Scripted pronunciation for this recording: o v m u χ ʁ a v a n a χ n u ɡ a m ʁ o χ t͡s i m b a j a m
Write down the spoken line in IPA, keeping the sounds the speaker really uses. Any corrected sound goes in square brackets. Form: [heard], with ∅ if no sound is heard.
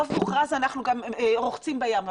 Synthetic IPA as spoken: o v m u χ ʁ a [z] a n a χ n u ɡ a m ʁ o χ t͡s i m b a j a m